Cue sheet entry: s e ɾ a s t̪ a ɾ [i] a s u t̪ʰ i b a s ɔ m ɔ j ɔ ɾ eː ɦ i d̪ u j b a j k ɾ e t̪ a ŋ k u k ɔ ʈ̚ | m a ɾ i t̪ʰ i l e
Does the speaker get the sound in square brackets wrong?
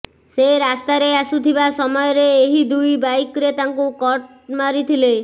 yes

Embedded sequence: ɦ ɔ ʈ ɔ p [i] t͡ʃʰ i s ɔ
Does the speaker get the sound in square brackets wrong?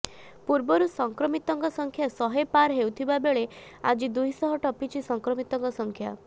no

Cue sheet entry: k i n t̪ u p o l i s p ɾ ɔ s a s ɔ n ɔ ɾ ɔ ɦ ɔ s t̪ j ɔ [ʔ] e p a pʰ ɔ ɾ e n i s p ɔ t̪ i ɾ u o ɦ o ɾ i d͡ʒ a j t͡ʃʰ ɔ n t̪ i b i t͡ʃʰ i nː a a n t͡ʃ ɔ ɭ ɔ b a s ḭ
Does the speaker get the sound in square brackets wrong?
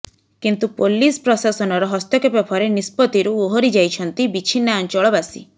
yes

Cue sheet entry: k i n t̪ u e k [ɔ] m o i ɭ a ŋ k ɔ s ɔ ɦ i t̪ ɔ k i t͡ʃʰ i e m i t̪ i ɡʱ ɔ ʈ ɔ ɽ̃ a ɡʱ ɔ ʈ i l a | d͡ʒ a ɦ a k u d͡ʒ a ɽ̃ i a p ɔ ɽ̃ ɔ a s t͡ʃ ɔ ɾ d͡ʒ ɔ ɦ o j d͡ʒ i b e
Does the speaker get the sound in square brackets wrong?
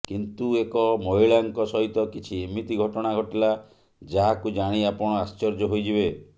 no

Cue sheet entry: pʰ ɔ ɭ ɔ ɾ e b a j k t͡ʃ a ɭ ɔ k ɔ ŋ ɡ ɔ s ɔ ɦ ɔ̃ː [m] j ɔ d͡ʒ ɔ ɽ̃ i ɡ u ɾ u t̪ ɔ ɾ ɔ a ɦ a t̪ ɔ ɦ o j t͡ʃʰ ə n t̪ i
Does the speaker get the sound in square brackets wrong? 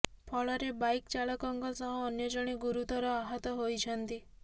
yes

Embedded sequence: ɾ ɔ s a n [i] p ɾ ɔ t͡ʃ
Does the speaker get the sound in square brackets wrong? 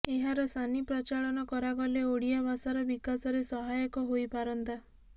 no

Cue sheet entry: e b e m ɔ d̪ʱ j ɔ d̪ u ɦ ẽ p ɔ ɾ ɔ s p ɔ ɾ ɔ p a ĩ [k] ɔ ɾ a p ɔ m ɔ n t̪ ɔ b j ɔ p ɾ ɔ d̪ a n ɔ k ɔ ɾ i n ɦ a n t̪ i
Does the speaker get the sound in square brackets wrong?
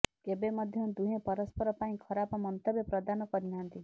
yes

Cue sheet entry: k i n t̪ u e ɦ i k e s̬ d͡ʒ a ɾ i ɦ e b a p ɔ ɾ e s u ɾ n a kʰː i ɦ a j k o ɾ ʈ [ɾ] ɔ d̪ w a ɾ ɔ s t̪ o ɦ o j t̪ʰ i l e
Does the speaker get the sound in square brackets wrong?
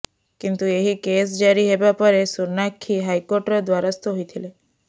no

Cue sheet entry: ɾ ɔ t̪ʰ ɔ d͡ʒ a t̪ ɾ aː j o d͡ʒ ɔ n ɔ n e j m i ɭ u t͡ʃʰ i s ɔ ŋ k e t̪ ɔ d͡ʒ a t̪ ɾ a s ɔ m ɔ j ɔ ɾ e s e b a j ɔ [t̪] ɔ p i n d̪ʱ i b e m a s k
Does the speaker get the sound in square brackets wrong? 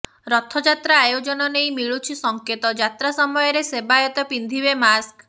no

